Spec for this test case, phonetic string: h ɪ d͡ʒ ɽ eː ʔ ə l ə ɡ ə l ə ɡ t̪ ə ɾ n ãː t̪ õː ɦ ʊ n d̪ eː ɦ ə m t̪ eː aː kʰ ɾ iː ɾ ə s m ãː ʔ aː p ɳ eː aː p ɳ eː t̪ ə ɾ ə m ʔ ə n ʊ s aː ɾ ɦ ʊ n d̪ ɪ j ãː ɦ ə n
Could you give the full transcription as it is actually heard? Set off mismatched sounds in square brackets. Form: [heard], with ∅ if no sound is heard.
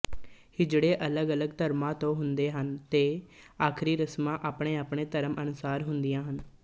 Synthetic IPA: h ɪ d͡ʒ ɽ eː ʔ ə l ə ɡ ə l ə ɡ t̪ ə ɾ [m] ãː t̪ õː ɦ ʊ n d̪ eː ɦ ə [n] t̪ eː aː kʰ ɾ iː ɾ ə s m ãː ʔ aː p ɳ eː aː p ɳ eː t̪ ə ɾ ə m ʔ ə n ʊ s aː ɾ ɦ ʊ n d̪ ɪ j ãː ɦ ə n

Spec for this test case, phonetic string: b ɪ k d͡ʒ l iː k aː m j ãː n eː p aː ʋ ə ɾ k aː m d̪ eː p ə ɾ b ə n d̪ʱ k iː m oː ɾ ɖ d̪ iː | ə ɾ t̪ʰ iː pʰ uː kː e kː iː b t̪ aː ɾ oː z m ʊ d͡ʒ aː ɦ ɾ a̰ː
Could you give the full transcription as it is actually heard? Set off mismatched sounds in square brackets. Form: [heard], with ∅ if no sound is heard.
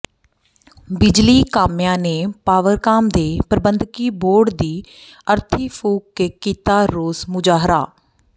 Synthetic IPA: b ɪ [∅] d͡ʒ l iː k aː m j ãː n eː p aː ʋ ə ɾ k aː m d̪ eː p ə ɾ b ə n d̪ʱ k iː [b] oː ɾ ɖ d̪ iː | ə ɾ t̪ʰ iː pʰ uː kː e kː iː [∅] t̪ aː ɾ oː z m ʊ d͡ʒ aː ɦ ɾ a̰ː

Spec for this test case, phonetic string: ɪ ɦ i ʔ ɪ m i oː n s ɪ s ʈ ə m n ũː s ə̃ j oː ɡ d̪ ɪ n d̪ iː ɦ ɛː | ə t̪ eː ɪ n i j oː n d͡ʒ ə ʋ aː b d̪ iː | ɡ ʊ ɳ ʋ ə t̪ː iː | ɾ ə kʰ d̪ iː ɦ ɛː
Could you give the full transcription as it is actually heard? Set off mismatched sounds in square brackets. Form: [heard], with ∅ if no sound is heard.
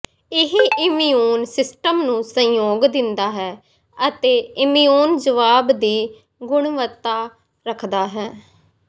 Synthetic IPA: ɪ ɦ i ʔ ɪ m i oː n s ɪ s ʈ ə m n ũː s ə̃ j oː ɡ d̪ ɪ n d̪ [aː] ɦ ɛː | ə t̪ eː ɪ [m] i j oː n d͡ʒ ə ʋ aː b d̪ iː | ɡ ʊ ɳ ʋ ə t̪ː [aː] | ɾ ə kʰ d̪ [aː] ɦ ɛː

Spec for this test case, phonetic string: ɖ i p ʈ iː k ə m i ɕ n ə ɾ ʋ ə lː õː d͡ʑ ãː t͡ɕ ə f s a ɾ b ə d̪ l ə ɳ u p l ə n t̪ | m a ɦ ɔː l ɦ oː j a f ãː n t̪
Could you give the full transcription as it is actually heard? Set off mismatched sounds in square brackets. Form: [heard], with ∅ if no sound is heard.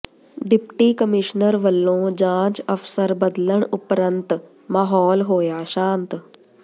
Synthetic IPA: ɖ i p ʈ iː k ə m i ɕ n ə ɾ ʋ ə lː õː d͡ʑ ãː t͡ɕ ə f s [ə] ɾ b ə d̪ l ə ɳ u p [ɾ] ə n t̪ | m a ɦ ɔː l ɦ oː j a [ɕ] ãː n t̪

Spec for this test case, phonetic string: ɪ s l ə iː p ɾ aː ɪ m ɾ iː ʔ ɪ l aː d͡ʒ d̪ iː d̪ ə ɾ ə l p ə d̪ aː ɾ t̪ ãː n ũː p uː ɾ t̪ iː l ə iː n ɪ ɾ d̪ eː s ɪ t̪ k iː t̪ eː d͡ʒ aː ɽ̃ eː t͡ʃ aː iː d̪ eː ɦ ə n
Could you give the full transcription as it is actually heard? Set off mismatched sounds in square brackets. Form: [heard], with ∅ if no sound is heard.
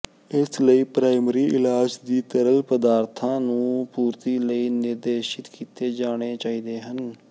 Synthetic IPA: ɪ s l ə iː p ɾ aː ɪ m ɾ iː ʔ ɪ l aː d͡ʒ d̪ iː [t̪] ə ɾ ə l p ə d̪ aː ɾ [t̪ʰ] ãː n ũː p uː ɾ t̪ iː l ə iː n ɪ ɾ d̪ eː [ʃ] ɪ t̪ k iː t̪ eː d͡ʒ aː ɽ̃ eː t͡ʃ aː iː d̪ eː ɦ ə n

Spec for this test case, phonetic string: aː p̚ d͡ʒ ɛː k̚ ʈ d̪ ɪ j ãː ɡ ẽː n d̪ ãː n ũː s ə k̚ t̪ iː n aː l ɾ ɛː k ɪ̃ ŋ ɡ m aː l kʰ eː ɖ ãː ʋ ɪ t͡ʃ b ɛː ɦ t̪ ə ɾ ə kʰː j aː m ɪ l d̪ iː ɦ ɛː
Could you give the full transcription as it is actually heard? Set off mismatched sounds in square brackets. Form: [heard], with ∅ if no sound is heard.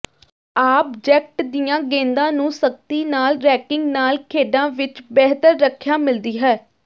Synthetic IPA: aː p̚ d͡ʒ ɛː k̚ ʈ d̪ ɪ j ãː ɡ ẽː n d̪ ãː n ũː s ə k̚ t̪ iː n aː l ɾ ɛː k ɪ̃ ŋ ɡ [n] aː l kʰ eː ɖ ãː ʋ ɪ t͡ʃ b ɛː ɦ t̪ ə [ɾː] ə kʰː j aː m ɪ l d̪ iː ɦ ɛː

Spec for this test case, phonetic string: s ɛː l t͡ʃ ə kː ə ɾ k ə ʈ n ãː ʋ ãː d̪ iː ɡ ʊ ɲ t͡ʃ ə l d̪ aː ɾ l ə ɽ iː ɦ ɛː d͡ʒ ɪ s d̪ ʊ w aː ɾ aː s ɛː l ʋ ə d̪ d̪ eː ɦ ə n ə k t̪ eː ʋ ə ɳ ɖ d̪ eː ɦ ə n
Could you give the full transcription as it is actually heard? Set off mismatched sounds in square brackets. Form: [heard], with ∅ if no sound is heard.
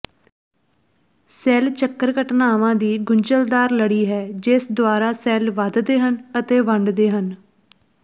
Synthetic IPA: s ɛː l t͡ʃ ə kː ə ɾ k ə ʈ n [aː] ʋ ãː d̪ iː ɡ ʊ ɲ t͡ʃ ə l d̪ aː ɾ l ə ɽ iː ɦ ɛː d͡ʒ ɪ s d̪ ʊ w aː ɾ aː s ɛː l ʋ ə d̪ d̪ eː ɦ ə n ə [∅] t̪ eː ʋ ə ɳ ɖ d̪ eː ɦ ə n

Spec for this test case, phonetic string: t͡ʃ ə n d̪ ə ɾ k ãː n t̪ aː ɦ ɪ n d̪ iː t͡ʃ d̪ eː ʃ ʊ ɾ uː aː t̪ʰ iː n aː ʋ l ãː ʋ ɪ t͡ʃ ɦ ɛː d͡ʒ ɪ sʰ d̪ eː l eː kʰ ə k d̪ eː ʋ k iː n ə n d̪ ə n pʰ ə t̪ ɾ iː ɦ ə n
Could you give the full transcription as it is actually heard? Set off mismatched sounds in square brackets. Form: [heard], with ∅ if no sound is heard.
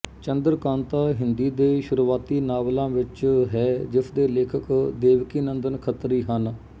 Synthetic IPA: t͡ʃ ə n d̪ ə ɾ k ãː n t̪ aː ɦ ɪ n d̪ iː [∅] d̪ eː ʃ ʊ ɾ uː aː [t̪] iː n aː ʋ l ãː ʋ ɪ t͡ʃ ɦ ɛː d͡ʒ ɪ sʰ d̪ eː l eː kʰ ə k d̪ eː ʋ k iː n ə n d̪ ə n [kʰ] ə t̪ ɾ iː ɦ ə n

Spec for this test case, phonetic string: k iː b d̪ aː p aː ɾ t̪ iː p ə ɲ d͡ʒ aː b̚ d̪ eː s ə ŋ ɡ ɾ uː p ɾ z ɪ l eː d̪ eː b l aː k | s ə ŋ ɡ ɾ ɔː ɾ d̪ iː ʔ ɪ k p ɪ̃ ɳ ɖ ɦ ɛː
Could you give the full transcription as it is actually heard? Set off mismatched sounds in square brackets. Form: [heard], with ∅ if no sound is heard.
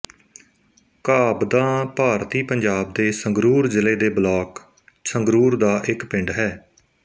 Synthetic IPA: k [aː] b d̪ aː p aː ɾ t̪ iː p ə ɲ d͡ʒ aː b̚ d̪ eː s ə ŋ ɡ ɾ uː [∅] ɾ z ɪ l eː d̪ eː b l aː k | s ə ŋ ɡ ɾ [uː] ɾ d̪ [aː] ʔ ɪ k p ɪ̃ ɳ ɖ ɦ ɛː

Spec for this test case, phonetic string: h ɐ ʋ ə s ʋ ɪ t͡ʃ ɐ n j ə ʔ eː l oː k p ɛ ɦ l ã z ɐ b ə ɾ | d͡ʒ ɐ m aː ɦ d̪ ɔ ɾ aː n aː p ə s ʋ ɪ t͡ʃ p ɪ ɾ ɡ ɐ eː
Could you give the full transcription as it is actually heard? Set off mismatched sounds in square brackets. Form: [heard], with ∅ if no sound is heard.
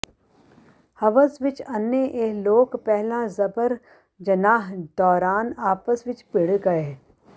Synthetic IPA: h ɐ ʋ ə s ʋ ɪ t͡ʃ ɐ n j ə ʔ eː l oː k p ɛ ɦ l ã z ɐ b ə ɾ | d͡ʒ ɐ [n] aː ɦ d̪ [ɔː] ɾ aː n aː p ə s ʋ ɪ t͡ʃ p ɪ [ɽ] ɡ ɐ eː

